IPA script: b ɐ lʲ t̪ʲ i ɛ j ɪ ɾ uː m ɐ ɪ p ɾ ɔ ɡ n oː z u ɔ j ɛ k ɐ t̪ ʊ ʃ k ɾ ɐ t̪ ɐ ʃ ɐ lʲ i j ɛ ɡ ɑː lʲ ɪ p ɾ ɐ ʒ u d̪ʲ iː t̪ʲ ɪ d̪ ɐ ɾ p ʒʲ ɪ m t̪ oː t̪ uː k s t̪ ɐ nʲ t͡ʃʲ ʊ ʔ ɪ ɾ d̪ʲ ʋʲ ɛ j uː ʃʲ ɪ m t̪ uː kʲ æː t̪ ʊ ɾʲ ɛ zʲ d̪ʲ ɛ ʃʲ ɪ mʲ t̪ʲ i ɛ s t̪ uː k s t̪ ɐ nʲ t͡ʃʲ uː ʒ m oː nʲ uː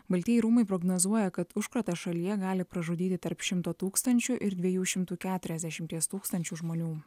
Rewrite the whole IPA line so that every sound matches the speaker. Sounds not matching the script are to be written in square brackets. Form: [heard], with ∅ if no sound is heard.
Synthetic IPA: b ɐ lʲ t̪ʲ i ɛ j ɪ ɾ uː m ɐ ɪ p ɾ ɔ ɡ n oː z u ɔ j ɛ k ɐ t̪ ʊ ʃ k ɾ ɐ t̪ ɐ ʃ ɐ lʲ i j ɛ ɡ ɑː lʲ ɪ p ɾ ɐ ʒ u d̪ʲ iː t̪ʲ ɪ [t̪] ɐ ɾ p [ʃʲ] ɪ m t̪ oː t̪ uː k s t̪ ɐ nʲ t͡ʃʲ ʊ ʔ ɪ ɾ d̪ʲ ʋʲ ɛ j uː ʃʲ ɪ m t̪ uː kʲ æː t̪ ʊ ɾʲ ɛ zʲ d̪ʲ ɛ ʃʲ ɪ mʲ t̪ʲ i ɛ s t̪ uː k s t̪ ɐ nʲ t͡ʃʲ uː ʒ m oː nʲ uː